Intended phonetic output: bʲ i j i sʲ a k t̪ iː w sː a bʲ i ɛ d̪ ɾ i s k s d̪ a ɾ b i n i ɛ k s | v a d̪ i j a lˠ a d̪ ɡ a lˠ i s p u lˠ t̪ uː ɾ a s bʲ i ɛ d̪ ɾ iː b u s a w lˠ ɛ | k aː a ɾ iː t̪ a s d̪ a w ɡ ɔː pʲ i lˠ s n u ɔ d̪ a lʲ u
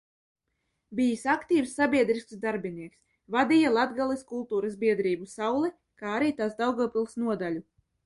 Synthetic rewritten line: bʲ i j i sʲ a k t̪ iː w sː a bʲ i ɛ d̪ ɾ i s k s d̪ a ɾ b i n i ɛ k s | v a d̪ i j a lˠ a d̪ ɡ a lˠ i s k u lˠ t̪ uː ɾ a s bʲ i ɛ d̪ ɾ iː b u s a w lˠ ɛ | k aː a ɾ iː t̪ a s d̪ a w ɡ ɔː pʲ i lˠ s n u ɔ d̪ a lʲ u